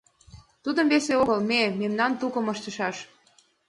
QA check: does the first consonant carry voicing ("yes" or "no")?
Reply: no